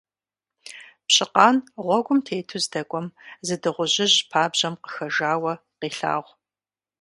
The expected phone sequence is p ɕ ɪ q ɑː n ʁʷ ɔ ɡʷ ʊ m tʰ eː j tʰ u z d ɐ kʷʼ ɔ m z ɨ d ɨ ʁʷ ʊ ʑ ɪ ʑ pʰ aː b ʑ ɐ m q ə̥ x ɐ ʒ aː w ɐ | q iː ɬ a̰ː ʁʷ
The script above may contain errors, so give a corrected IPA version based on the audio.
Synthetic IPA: p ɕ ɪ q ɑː n ʁʷ ɔ ɡʷ ʊ m tʰ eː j tʰ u z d ɐ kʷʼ ɔ m z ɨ d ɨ ʁʷ ʊ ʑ ɪ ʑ pʰ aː b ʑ ɐ m q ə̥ x ɐ ʒ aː w ɐ | q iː ɬ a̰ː ʁʷ